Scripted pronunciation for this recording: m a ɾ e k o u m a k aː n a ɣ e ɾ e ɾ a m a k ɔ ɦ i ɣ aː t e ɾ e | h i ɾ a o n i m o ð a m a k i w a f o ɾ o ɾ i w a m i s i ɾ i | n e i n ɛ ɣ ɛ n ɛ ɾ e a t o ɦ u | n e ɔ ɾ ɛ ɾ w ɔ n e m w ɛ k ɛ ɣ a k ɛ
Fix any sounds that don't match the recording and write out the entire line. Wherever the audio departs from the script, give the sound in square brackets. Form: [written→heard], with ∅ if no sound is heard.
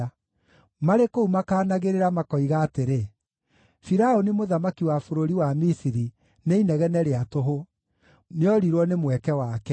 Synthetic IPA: m a ɾ e k o u m a k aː n a ɣ e ɾ e ɾ a m a k ɔ [ɦ→∅] i ɣ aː t e ɾ e | [h→f] i ɾ a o n i m o ð a m a k i w a f o ɾ o ɾ i w a m i s i ɾ i | n e i n ɛ ɣ ɛ n ɛ ɾ e a t o ɦ [u→o] | n e ɔ ɾ [ɛ→i] ɾ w ɔ n e m w ɛ k ɛ [ɣ→w] a k ɛ